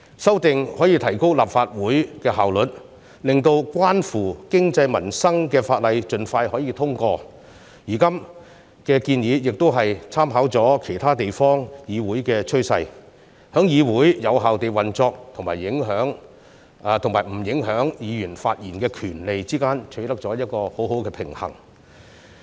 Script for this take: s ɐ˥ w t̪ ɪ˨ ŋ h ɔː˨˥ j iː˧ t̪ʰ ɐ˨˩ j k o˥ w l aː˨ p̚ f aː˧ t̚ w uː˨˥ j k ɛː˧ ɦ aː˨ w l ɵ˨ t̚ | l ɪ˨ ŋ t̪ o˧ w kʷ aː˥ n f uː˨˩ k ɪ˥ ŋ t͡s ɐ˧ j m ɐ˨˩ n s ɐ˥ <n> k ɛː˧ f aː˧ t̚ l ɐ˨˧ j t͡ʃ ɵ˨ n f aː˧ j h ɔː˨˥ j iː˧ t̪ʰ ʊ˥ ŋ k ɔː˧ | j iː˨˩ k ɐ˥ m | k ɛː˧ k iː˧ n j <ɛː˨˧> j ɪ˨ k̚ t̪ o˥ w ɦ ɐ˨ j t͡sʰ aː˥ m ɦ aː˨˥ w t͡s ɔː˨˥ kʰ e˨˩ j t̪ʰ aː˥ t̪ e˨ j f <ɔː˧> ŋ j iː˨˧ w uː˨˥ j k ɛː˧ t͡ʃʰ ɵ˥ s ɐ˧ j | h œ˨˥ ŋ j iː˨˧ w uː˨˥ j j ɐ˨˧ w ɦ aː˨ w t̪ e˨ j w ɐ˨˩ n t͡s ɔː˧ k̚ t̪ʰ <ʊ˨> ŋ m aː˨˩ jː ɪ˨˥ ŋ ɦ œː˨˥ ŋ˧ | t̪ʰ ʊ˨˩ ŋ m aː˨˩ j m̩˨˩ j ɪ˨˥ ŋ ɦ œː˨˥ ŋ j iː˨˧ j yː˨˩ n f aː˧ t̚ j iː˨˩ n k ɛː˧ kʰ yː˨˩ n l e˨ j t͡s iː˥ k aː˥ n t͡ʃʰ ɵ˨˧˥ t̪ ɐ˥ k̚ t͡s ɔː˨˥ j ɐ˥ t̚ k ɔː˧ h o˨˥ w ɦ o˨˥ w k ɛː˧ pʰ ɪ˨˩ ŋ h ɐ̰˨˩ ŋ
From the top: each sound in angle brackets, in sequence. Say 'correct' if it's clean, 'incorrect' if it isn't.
incorrect: ŋ, incorrect: iː˨˧, incorrect: ɔː˥, correct

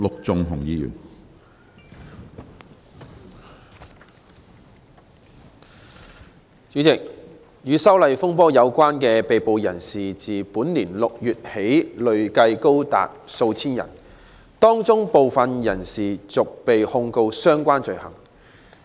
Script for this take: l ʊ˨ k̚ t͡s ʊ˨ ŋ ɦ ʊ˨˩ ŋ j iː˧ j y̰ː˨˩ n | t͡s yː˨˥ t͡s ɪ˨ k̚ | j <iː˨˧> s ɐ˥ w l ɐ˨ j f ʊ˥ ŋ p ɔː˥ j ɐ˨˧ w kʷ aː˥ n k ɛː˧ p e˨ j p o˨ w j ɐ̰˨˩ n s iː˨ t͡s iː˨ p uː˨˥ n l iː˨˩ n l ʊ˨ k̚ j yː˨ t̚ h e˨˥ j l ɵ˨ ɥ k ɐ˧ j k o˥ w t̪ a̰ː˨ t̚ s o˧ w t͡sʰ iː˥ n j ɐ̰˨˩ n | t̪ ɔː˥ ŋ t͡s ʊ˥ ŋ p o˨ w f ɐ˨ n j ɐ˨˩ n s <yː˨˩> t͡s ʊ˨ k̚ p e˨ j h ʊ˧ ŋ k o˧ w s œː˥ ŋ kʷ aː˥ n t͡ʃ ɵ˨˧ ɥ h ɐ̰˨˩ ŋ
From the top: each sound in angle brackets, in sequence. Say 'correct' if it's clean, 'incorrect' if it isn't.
incorrect: yː˨˧, incorrect: iː˨˩

